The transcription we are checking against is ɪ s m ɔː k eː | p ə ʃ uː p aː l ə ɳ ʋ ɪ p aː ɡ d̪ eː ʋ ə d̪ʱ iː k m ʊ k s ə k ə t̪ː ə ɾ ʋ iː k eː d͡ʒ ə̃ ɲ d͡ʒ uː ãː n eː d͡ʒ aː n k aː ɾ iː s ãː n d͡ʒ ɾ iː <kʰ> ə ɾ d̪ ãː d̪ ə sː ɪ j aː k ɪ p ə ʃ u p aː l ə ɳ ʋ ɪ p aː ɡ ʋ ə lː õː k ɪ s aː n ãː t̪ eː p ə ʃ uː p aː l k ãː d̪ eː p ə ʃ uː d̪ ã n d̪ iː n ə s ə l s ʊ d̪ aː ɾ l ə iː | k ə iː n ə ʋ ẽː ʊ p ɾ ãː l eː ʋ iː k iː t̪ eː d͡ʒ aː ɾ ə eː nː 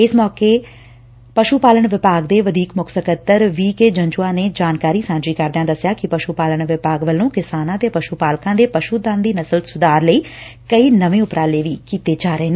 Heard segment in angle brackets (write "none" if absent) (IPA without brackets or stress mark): k